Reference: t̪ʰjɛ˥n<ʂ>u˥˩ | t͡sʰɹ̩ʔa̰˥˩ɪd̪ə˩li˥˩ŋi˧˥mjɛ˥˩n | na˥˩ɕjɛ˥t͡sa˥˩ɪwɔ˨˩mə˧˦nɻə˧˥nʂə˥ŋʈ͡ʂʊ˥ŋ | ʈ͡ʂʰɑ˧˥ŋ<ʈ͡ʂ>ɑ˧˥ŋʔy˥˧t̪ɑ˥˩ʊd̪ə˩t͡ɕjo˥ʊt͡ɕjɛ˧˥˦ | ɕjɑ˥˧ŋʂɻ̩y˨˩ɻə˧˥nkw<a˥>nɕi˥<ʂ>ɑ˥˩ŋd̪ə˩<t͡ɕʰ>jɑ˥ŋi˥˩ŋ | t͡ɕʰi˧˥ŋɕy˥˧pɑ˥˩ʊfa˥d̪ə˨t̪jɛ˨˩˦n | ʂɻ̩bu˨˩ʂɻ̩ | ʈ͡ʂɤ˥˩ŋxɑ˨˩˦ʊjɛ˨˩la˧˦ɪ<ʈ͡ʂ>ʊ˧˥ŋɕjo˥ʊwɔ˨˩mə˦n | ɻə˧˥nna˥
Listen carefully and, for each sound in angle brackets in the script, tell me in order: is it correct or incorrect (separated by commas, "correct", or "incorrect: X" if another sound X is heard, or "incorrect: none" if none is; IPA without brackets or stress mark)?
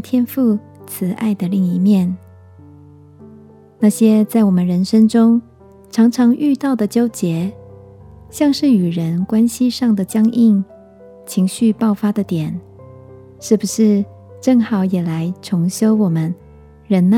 incorrect: f, incorrect: ʈ͡ʂʰ, correct, correct, incorrect: t͡ɕ, incorrect: ʈ͡ʂʰ